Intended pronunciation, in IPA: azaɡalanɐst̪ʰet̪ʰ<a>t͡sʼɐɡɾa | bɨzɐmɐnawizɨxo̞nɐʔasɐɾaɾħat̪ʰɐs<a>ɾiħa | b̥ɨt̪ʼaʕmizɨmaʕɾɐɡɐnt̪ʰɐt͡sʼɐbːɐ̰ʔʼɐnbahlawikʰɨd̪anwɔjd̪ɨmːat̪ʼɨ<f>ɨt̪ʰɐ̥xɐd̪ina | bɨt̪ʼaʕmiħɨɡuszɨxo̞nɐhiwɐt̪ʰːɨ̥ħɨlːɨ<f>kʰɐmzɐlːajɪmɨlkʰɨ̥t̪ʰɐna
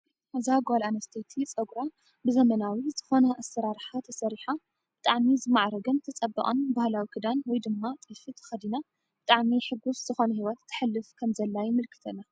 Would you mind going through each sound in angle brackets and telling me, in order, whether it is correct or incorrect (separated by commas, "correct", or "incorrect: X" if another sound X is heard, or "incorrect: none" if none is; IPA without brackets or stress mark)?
incorrect: i, incorrect: ɐ, correct, correct